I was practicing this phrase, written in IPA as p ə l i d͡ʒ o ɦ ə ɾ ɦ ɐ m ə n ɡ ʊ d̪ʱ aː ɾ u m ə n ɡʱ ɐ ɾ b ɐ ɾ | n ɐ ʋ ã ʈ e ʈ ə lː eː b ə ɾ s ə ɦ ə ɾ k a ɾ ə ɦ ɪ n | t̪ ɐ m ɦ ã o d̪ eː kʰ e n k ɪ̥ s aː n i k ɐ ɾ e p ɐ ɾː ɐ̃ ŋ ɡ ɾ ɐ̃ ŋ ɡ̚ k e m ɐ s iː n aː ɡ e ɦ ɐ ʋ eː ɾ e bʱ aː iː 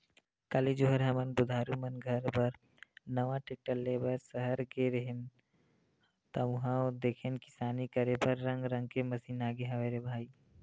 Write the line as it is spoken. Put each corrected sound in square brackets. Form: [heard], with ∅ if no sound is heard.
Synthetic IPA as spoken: [k] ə l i d͡ʒ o ɦ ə ɾ ɦ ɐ m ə n [b] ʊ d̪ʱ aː ɾ u m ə n ɡʱ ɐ ɾ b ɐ ɾ | n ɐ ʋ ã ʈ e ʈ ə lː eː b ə ɾ s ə ɦ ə ɾ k [e] ɾ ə ɦ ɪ n | t̪ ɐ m ɦ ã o d̪ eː kʰ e n k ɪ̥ s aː n i k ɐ ɾ e p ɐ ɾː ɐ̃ ŋ ɡ ɾ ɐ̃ ŋ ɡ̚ k e m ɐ s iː n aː ɡ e ɦ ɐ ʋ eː ɾ e bʱ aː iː